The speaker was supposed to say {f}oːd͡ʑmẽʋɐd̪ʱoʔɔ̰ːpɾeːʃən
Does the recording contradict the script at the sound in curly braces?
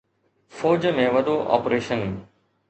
no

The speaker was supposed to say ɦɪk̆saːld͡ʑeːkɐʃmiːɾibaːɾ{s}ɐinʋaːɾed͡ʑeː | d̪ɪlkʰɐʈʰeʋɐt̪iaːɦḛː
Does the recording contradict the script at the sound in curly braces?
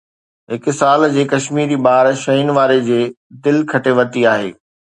yes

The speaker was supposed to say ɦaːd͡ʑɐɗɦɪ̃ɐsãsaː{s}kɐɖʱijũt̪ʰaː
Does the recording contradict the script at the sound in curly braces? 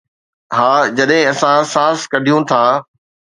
no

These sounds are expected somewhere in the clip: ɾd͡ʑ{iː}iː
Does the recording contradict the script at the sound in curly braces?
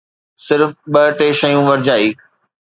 yes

